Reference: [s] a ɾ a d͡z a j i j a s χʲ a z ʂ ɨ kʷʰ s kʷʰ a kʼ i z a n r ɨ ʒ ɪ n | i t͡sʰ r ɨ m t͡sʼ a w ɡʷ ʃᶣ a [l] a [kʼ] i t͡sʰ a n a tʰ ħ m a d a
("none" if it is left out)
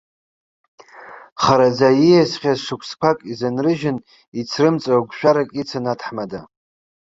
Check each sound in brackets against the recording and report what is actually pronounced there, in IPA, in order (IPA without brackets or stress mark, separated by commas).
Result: χ, ɾ, kʼ